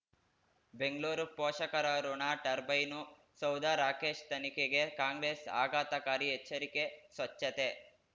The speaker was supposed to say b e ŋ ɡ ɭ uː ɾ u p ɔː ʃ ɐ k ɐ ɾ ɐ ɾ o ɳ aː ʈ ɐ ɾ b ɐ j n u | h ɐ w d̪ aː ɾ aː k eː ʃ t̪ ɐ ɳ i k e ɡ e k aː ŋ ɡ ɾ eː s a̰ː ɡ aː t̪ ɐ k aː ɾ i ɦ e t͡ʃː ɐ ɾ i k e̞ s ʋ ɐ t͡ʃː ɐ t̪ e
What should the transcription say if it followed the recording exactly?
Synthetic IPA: b e ŋ ɡ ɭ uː ɾ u p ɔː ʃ ɐ k ɐ ɾ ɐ ɾ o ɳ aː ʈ ɐ ɾ b ɐ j n u | s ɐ w d̪ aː ɾ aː k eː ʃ t̪ ɐ n i k e ɡ e k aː ŋ ɡ ɾ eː s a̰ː ɡ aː t̪ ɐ k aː ɾ i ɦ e t͡ʃː ɐ ɾ i k e̞ s ʋ ɐ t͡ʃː ɐ t̪ e

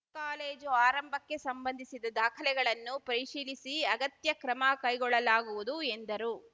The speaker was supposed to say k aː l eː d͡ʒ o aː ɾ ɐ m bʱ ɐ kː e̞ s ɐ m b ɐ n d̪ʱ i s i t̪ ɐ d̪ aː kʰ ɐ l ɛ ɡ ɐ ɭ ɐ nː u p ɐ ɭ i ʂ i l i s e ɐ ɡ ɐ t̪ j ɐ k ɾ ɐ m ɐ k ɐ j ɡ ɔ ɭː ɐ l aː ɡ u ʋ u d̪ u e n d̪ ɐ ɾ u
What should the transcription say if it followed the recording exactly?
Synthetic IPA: k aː l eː d͡ʒ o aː ɾ ɐ m bʱ ɐ kː e̞ s ɐ m b ɐ n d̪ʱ i s i d̪ ɐ d̪ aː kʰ ɐ l ɛ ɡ ɐ ɭ ɐ nː u p ɐ ɾ i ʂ iː l i s i ɐ ɡ ɐ t̪ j ɐ k ɾ ɐ m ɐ k ɐ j ɡ ɔ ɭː ɐ l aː ɡ u ʋ u d̪ u e n d̪ ɐ ɾ u

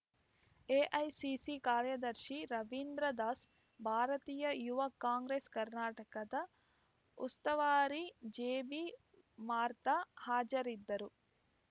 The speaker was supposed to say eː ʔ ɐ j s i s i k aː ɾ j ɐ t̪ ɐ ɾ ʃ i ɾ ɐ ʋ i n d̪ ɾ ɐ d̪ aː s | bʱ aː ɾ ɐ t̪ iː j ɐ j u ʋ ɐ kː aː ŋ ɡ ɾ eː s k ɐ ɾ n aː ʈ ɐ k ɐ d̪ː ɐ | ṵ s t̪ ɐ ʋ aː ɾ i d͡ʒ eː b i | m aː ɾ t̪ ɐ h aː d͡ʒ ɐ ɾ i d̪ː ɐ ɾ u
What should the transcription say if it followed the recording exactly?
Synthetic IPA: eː ʔ ɐ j s i s i k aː ɾ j ɐ d̪ ɐ ɾ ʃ i ɾ ɐ ʋ i n d̪ ɾ ɐ d̪ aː s | bʱ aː ɾ ɐ t̪ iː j ɐ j u ʋ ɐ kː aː ŋ ɡ ɾ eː s k ɐ ɾ n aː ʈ ɐ k ɐ d̪ ɐ | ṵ s t̪ ɐ ʋ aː ɾ i d͡ʒ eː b i | m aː ɾ t̪ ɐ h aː d͡ʒ ɐ ɾ i d̪ː ɐ ɾ u

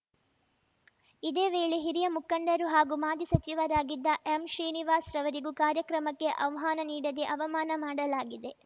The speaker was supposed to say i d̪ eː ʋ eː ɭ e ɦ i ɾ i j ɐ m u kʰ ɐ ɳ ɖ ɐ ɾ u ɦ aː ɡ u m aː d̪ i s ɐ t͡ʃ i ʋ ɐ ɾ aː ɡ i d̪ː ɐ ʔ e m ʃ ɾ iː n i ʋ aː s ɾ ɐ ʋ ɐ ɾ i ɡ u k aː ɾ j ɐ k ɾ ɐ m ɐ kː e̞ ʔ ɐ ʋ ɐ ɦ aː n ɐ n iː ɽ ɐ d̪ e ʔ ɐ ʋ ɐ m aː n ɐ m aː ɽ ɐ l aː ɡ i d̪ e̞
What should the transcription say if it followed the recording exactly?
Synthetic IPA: i d̪ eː ʋ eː ɭ e ɦ i ɾ i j ɐ m u k ɐ ɳ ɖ ɐ ɾ u ɦ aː ɡ u m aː d̪ i s ɐ t͡ʃ i ʋ ɐ ɾ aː ɡ i d̪ː ɐ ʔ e m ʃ ɾ iː n i ʋ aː s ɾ ɐ ʋ ɐ ɾ i ɡ u k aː ɾ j ɐ k ɾ ɐ m ɐ kː e̞ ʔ ɐ ʋ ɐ ɦ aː n ɐ n iː ɽ ɐ d̪ e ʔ ɐ ʋ ɐ m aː n ɐ m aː ɽ ɐ l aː ɡ i d̪ e̞

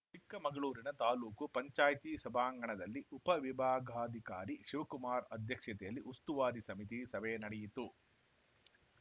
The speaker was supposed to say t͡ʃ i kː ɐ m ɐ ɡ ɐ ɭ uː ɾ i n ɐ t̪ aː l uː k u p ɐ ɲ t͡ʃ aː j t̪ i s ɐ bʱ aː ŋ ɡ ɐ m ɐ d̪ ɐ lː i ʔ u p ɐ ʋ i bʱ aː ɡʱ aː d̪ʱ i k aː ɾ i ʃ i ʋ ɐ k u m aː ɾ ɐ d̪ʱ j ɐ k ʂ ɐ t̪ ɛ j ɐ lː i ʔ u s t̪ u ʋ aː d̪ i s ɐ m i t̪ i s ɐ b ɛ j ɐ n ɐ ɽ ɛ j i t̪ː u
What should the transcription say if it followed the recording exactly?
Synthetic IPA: t͡ʃ i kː ɐ m ɐ ɡ ɐ ɭ uː ɾ i n ɐ t̪ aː l uː k u p ɐ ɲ t͡ʃ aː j t̪ i s ɐ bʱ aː ŋ ɡ ɐ ɳ ɐ d̪ ɐ lː i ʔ u p ɐ ʋ i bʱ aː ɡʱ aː d̪ʱ i k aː ɾ i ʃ i ʋ ɐ k u m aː ɾ ɐ d̪ʱ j ɐ k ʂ ɐ t̪ ɛ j ɐ lː i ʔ u s t̪ u ʋ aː d̪ i s ɐ m i t̪ i s ɐ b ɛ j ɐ n ɐ ɽ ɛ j i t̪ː u

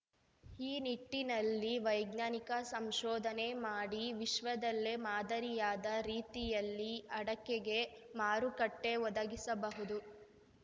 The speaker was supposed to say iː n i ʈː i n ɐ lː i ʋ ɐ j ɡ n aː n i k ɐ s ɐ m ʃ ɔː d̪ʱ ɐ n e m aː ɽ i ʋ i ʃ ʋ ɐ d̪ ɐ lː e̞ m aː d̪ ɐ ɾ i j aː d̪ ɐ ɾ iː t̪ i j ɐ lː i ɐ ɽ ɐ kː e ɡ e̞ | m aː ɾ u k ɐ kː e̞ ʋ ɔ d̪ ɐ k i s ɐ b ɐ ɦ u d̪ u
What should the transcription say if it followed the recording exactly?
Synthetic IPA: iː n i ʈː i n ɐ lː i ʋ ɐ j ɡ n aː n i k ɐ s ɐ m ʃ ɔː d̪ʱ ɐ n e m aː ɽ i ʋ i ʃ ʋ ɐ d̪ ɐ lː e̞ m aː d̪ ɐ ɾ i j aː d̪ ɐ ɾ iː t̪ i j ɐ lː i ɐ ɽ ɐ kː e ɡ e̞ | m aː ɾ u k ɐ ʈː e̞ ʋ ɔ d̪ ɐ ɡ i s ɐ b ɐ ɦ u d̪ u

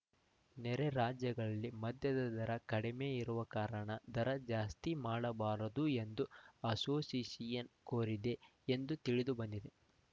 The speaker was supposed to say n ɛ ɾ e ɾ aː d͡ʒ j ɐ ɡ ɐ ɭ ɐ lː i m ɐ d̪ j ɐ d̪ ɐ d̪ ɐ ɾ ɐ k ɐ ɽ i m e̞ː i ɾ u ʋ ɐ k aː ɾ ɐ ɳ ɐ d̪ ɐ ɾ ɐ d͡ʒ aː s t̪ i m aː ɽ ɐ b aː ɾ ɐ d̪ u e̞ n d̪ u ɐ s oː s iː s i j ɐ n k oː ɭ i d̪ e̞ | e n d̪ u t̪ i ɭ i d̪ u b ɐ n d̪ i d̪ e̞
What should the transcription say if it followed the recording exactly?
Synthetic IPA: n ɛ ɾ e ɾ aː d͡ʒ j ɐ ɡ ɐ ɭ ɐ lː i m ɐ d̪ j ɐ d̪ ɐ d̪ ɐ ɾ ɐ k ɐ ɽ i m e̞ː i ɾ u ʋ ɐ k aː ɾ ɐ ɳ ɐ d̪ ɐ ɾ ɐ d͡ʒ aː s t̪ i m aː ɽ ɐ b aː ɾ ɐ d̪ u e̞ n d̪ u ɐ s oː s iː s i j ɐ n k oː ɾ i d̪ e̞ | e n d̪ u t̪ i ɭ i d̪ u b ɐ n d̪ i d̪ e̞

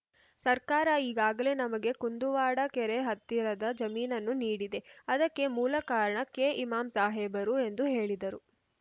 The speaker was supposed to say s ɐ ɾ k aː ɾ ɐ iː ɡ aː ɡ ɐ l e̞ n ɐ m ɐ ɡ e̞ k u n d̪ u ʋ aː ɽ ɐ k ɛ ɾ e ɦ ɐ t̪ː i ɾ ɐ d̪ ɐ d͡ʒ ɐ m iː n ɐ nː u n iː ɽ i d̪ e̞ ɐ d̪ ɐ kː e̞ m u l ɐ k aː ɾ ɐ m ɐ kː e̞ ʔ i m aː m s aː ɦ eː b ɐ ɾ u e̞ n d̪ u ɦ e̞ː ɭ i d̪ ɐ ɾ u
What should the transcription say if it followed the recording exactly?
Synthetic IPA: s ɐ ɾ k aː ɾ ɐ iː ɡ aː ɡ ɐ l e̞ n ɐ m ɐ ɡ e̞ k u n d̪ u ʋ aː ɽ ɐ k ɛ ɾ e ɦ ɐ t̪ː i ɾ ɐ d̪ ɐ d͡ʒ ɐ m iː n ɐ nː u n iː ɽ i d̪ e̞ ɐ d̪ ɐ kː e̞ m uː l ɐ k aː ɾ ɐ ɳ ɐ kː e̞ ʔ i m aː m s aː ɦ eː b ɐ ɾ u e̞ n d̪ u ɦ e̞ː ɭ i d̪ ɐ ɾ u

